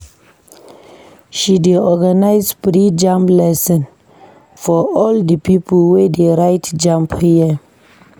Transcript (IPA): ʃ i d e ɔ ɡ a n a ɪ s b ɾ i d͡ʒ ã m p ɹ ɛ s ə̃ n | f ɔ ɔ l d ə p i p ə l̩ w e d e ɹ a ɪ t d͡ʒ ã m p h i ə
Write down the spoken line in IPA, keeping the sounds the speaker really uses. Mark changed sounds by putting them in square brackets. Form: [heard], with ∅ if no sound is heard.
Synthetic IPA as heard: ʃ i d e ɔ ɡ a n a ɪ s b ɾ i d͡ʒ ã m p [l] ɛ s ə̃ n | f ɔ ɔ l d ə p i p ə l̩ w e d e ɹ a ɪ t d͡ʒ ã m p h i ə